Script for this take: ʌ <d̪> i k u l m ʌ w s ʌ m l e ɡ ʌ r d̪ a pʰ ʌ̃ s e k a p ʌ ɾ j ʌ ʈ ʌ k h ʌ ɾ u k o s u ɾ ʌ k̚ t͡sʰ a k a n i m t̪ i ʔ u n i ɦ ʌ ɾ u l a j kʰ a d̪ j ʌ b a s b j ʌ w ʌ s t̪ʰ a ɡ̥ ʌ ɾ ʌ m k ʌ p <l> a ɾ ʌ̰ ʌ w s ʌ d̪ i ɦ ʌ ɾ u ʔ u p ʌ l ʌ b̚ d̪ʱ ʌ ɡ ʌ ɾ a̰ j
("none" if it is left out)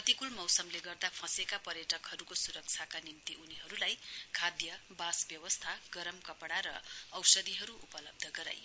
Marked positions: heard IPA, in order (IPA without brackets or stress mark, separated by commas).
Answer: t̪, ɽ